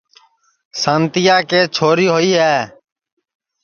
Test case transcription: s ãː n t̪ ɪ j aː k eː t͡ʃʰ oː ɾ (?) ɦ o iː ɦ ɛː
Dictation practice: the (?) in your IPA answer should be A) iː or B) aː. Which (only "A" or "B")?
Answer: A